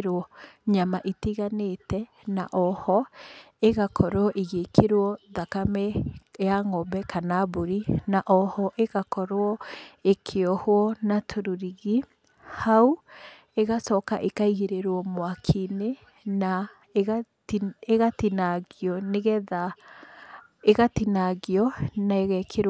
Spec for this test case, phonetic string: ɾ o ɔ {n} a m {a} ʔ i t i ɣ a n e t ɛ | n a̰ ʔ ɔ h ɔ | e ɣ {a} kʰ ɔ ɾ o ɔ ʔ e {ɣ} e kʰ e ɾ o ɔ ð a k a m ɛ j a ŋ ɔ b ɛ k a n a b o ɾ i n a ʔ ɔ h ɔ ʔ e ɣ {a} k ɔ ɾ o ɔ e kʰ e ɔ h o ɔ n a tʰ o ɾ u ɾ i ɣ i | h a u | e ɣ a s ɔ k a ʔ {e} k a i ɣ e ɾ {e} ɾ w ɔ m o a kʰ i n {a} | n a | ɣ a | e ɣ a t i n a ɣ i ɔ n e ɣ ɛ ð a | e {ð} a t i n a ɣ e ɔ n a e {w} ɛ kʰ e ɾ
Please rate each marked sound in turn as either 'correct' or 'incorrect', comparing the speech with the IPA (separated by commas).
incorrect, correct, correct, correct, correct, correct, correct, incorrect, incorrect, incorrect